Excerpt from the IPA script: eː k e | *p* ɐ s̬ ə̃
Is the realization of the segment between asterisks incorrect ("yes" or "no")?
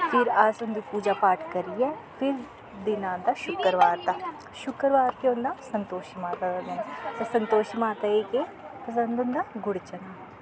no